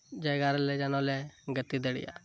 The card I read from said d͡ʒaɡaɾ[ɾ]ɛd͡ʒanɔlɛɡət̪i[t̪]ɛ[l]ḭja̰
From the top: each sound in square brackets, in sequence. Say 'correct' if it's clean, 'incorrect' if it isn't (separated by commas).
incorrect, incorrect, incorrect